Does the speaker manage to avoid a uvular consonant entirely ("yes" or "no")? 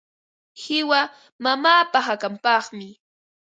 no